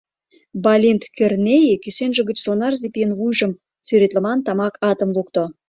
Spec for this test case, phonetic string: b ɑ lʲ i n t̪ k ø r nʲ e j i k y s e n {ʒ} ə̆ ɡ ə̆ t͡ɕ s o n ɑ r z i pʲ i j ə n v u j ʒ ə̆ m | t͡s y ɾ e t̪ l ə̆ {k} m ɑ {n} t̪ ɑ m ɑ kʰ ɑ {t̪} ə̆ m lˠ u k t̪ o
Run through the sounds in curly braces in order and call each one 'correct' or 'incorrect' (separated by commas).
correct, incorrect, correct, correct